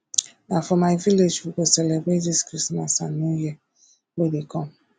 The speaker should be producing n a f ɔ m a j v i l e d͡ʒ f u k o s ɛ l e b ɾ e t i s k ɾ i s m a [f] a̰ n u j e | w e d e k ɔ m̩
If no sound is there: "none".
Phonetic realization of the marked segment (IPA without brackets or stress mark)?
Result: s